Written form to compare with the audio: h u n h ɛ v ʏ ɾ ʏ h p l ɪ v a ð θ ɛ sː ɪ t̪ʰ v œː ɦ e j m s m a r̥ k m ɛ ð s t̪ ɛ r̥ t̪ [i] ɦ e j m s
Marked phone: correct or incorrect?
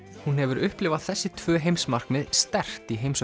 correct